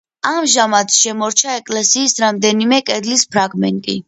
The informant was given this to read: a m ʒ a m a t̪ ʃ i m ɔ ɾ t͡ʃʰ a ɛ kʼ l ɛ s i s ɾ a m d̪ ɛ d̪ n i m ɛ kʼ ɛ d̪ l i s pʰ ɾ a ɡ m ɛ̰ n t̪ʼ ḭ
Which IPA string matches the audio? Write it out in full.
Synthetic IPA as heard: a m ʒ a m a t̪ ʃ ɛ m ɔ ɾ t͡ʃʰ a ɛ kʼ l ɛ s iː s ɾ a m d̪ ɛ n i m ɛ kʼ ɛ d̪ l i s pʰ ɾ a ɡ m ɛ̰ n t̪ʼ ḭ